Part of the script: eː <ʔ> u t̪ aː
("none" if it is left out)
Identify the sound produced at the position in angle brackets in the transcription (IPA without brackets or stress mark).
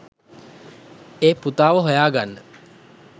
p